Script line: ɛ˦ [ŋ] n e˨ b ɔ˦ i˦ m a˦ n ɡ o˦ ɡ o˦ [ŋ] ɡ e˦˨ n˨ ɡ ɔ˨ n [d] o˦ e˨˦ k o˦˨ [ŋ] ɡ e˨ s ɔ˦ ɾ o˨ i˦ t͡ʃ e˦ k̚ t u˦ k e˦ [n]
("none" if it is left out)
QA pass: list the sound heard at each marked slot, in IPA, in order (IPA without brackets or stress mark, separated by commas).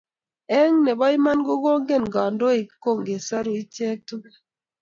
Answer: ŋ, ŋ, d, ŋ, none